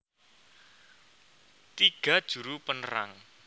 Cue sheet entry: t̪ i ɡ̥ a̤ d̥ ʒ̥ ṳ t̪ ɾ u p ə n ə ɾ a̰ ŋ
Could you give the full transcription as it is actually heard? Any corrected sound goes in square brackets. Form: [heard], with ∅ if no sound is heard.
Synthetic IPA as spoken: t̪ i ɡ̥ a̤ d̥ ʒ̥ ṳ [∅] ɾ u p ə n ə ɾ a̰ ŋ